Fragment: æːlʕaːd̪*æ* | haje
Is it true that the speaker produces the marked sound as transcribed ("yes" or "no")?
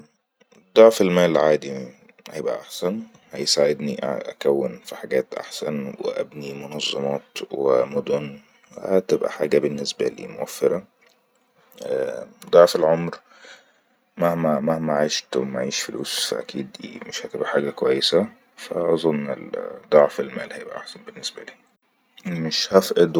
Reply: no